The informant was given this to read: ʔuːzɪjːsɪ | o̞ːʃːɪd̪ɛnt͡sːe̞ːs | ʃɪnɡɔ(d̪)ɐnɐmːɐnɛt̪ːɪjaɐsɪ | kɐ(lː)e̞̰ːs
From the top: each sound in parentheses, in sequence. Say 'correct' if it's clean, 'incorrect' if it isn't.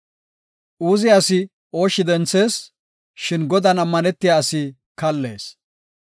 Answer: correct, correct

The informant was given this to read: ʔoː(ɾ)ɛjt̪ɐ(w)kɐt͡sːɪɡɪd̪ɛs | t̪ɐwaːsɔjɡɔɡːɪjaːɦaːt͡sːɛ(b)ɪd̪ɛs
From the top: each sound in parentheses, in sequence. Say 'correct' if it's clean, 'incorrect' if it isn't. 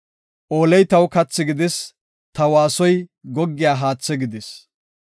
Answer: incorrect: l, correct, incorrect: ɡ

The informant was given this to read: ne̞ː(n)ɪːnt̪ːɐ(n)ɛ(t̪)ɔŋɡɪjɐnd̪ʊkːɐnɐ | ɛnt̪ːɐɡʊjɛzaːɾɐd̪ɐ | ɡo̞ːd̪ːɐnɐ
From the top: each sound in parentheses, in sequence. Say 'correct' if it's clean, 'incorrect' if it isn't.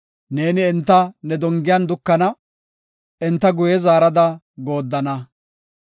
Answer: correct, correct, incorrect: d̪

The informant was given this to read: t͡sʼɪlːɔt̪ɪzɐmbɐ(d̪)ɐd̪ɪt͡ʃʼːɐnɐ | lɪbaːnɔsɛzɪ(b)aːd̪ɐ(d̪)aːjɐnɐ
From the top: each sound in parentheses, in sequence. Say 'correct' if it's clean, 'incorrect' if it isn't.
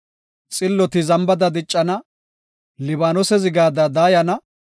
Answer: correct, incorrect: ɡ, correct

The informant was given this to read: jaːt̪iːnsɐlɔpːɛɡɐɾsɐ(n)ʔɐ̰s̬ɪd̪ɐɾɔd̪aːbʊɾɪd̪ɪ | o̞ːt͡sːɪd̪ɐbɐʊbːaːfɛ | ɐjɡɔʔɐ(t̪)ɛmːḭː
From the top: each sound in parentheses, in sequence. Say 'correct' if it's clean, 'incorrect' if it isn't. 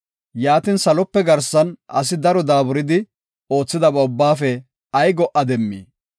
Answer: correct, incorrect: d̪

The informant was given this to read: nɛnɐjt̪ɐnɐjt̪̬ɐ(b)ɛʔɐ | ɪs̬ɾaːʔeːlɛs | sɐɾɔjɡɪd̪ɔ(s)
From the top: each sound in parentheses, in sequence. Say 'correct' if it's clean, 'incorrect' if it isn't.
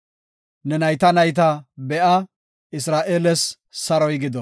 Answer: correct, incorrect: none

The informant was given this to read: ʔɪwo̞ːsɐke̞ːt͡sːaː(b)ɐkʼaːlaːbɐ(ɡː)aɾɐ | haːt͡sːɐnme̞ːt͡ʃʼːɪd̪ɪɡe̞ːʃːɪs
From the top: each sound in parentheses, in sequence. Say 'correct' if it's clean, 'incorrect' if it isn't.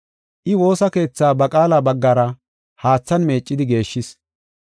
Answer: correct, correct

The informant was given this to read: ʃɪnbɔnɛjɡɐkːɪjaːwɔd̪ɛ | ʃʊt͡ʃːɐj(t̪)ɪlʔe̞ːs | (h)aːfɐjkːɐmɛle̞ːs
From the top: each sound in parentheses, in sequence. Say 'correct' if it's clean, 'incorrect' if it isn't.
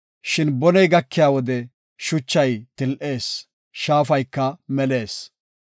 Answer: correct, incorrect: ʃ

